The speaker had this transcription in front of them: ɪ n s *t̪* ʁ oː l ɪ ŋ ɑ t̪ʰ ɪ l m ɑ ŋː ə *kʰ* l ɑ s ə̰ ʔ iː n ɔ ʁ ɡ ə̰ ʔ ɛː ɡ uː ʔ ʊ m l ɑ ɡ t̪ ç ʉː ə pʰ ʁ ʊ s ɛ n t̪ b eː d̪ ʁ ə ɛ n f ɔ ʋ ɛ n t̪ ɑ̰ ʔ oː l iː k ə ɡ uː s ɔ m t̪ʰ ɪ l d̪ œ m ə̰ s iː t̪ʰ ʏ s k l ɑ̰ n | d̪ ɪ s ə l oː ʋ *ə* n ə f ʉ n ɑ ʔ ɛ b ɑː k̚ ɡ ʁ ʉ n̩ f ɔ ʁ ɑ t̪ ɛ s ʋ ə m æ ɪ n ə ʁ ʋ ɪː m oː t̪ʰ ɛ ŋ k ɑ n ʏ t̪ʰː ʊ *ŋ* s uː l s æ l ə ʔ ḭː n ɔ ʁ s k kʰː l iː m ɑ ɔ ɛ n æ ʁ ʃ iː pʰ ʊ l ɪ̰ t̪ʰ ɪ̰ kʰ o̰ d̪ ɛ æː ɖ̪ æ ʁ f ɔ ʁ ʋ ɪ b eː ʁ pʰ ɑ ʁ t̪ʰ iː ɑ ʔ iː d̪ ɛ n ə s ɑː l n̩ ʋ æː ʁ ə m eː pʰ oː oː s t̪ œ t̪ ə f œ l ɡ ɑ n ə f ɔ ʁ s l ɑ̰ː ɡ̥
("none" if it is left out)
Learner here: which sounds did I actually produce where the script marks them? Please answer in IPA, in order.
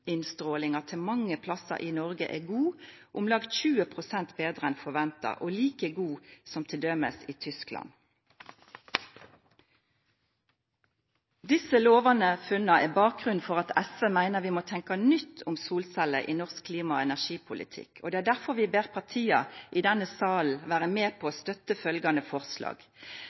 t̪, pʰ, ɑ, m

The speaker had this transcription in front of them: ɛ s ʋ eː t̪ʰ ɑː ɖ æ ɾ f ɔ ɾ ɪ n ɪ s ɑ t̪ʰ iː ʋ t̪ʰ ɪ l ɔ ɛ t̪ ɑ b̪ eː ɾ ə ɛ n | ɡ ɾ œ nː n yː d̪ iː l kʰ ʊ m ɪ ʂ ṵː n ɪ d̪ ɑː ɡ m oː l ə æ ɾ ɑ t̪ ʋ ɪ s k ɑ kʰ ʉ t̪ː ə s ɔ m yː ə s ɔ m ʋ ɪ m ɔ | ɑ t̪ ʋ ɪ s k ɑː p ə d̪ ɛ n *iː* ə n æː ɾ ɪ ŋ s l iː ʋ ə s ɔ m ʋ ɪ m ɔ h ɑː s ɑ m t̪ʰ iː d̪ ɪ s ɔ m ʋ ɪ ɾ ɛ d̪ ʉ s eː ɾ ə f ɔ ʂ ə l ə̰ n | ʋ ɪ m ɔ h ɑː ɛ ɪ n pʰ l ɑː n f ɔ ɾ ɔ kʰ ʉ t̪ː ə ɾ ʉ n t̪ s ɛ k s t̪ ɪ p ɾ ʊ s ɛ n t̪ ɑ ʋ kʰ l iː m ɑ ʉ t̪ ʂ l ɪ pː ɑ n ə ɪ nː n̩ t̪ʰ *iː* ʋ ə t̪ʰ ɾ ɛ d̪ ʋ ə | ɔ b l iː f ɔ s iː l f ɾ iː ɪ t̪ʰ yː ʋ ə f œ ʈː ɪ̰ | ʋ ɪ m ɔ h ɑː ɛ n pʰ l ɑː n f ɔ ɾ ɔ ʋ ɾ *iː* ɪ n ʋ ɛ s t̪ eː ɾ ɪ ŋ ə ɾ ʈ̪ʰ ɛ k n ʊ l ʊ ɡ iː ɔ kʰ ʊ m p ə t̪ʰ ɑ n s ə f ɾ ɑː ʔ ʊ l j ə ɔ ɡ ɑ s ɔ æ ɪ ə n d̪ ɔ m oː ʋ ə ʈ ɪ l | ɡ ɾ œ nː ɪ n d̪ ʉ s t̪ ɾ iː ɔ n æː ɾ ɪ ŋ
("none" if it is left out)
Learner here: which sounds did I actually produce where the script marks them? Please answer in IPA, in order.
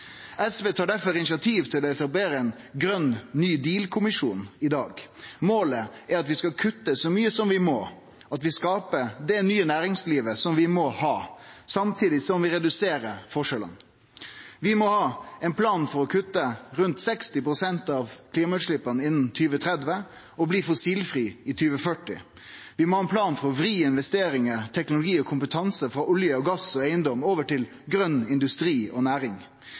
yː, yː, iː

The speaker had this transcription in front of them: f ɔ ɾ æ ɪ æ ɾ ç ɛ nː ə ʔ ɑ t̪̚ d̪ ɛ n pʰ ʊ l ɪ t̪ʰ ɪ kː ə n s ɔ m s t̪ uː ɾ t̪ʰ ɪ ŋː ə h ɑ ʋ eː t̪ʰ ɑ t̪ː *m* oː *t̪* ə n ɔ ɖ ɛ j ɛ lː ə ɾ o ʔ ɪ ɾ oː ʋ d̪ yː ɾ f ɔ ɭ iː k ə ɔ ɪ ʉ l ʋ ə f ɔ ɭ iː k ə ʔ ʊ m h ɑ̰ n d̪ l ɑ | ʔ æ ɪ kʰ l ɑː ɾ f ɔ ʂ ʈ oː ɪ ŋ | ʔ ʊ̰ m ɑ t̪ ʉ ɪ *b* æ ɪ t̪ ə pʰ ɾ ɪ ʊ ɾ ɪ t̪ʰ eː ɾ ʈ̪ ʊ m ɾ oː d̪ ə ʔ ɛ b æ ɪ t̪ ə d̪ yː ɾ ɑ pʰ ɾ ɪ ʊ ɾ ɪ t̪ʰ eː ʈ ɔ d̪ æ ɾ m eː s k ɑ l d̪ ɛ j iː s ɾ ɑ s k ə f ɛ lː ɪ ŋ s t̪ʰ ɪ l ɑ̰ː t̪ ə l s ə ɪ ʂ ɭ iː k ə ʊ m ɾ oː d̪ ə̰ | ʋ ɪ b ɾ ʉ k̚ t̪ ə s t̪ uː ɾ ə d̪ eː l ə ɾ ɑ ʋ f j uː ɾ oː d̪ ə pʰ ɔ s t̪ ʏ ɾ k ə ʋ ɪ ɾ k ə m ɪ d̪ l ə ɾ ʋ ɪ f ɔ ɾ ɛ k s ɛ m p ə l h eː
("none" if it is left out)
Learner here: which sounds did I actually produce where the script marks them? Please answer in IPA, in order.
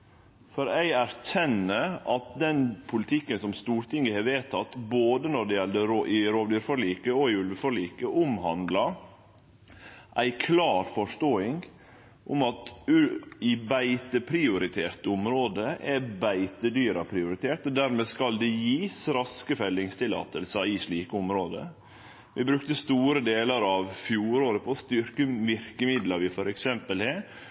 b, d̪, b

